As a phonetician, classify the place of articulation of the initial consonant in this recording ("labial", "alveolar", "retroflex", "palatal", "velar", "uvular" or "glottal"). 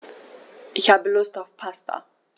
glottal